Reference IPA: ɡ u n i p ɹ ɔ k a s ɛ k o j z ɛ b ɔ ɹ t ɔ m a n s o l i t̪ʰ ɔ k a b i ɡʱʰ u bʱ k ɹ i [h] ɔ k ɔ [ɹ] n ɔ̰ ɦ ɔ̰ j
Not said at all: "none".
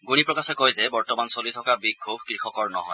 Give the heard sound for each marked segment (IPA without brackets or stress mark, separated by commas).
x, ɹ